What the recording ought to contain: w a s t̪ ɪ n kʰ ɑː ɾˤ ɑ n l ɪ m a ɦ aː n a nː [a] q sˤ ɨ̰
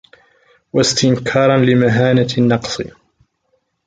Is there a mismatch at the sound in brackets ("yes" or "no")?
yes